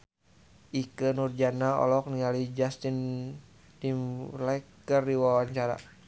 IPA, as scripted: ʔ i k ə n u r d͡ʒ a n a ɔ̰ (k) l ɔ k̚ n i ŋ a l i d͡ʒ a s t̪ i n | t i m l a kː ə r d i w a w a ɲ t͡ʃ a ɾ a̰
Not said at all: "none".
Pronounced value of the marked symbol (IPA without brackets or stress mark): none